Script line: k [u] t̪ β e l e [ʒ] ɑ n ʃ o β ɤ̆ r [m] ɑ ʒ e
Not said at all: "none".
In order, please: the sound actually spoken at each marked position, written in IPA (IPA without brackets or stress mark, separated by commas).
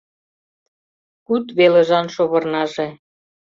u, ʒ, n